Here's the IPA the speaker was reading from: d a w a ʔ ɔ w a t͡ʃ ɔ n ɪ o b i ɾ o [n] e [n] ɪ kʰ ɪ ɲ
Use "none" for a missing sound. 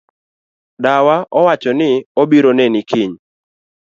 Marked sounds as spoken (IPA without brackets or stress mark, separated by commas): n, n